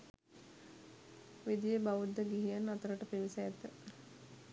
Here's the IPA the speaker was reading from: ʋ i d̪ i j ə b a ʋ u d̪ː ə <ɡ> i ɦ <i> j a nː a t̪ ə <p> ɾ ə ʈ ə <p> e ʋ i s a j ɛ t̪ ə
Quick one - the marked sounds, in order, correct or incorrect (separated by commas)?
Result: correct, correct, incorrect, correct